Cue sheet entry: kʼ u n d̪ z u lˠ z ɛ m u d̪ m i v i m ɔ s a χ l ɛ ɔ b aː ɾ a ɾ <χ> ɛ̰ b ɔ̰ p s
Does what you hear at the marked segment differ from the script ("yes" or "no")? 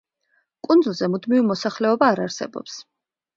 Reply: yes